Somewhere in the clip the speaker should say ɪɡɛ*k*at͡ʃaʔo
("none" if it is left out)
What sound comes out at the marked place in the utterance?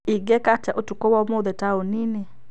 k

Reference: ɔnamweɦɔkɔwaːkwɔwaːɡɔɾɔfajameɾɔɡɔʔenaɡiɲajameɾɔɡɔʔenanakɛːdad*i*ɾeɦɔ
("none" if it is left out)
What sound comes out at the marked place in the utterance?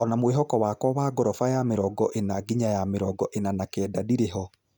i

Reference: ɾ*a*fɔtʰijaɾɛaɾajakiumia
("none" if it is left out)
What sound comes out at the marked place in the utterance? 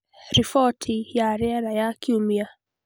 i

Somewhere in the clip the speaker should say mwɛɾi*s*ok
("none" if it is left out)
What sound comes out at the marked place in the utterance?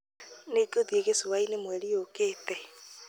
none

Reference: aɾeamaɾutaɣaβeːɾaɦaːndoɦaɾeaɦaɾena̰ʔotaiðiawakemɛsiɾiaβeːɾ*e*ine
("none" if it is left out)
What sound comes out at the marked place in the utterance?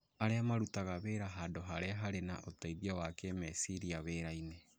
a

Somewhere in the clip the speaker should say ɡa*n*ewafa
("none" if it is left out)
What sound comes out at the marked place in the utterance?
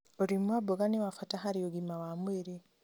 n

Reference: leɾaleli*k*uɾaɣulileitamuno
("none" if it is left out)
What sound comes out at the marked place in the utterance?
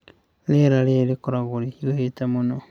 k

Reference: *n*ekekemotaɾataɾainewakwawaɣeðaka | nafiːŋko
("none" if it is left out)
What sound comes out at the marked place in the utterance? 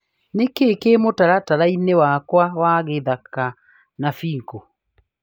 n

